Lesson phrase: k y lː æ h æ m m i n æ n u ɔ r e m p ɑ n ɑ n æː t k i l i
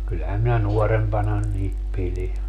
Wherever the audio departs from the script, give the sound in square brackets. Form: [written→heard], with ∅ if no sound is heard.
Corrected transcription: k y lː æ h æ m m i n æ n u ɔ r e m p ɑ n ɑ n [æː→iː] t [k→p] i l i